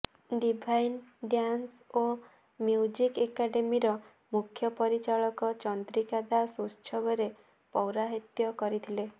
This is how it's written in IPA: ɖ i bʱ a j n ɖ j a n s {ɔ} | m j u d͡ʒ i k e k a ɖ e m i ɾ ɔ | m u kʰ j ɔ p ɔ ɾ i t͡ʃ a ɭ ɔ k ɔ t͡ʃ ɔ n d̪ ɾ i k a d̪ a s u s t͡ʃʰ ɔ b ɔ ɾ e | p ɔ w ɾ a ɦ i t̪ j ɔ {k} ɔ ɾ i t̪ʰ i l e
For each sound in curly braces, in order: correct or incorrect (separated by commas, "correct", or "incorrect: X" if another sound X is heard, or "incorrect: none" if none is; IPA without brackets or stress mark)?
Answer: incorrect: o, correct